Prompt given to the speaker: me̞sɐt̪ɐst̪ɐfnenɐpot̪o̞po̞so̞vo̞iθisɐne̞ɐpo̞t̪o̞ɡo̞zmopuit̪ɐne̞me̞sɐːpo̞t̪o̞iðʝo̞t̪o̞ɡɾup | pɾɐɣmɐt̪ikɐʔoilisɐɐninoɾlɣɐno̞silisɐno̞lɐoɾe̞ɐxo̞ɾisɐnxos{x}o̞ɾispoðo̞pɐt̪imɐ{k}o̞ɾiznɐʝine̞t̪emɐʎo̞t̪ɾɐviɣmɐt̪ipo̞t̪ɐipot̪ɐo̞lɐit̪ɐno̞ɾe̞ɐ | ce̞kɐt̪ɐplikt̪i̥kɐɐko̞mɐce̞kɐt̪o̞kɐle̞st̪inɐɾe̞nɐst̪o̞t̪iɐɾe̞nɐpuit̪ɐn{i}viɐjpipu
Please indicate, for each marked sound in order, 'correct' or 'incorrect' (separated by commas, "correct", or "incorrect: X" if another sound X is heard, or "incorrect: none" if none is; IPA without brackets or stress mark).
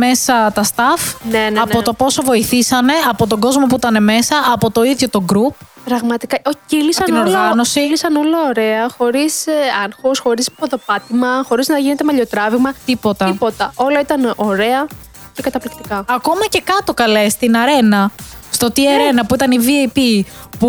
correct, incorrect: x, correct